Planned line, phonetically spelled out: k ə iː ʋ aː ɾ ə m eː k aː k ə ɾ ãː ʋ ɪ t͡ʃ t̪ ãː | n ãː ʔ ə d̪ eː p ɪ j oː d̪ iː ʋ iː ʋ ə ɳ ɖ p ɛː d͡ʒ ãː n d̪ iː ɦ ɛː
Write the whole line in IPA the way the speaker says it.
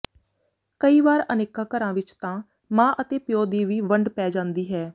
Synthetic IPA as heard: k ə iː ʋ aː ɾ ə n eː k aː k ə ɾ ãː ʋ ɪ t͡ʃ t̪ ãː | m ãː ʔ ə t̪ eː p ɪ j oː d̪ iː ʋ iː ʋ ə ɳ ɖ p ɛː d͡ʒ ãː n d̪ iː ɦ ɛː